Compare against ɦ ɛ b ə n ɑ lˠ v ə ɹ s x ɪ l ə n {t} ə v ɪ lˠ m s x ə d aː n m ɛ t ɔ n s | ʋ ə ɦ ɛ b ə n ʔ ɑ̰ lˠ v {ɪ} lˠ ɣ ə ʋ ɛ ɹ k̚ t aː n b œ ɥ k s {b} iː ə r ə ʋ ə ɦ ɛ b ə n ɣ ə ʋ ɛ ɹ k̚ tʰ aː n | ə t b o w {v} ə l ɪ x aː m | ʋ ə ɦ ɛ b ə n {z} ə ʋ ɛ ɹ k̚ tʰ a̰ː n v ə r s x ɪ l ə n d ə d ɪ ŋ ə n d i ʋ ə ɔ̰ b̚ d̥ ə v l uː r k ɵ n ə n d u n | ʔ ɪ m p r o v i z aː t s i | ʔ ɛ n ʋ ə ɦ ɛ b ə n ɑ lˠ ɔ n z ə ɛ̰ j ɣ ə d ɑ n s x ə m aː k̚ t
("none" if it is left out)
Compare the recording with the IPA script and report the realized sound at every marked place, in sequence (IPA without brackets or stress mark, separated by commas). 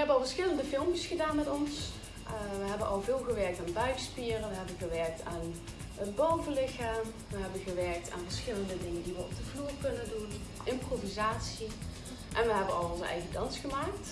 d, ɪː, p, v, ɣ